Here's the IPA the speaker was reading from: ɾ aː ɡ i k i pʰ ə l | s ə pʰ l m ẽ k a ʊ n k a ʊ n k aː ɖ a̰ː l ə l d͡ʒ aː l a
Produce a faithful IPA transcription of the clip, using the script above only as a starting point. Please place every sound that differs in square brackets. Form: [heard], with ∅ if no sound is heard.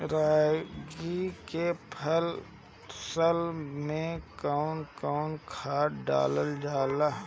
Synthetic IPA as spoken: ɾ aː ɡ i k [e] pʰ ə l | s ə [∅] l m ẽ k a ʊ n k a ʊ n [kʰ] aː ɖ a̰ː l ə l d͡ʒ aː l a